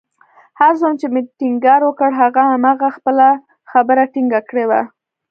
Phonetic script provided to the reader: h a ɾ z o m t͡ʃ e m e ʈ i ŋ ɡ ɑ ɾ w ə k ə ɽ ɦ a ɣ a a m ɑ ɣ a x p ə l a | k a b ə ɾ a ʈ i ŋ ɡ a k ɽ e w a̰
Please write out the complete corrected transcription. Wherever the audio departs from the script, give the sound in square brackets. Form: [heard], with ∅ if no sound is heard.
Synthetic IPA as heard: h a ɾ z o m t͡ʃ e m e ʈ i ŋ ɡ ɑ ɾ w ə k ə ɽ ɦ a ɣ a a m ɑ ɣ a x p ə l a | [x] a b ə ɾ a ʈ i ŋ ɡ a k ɽ e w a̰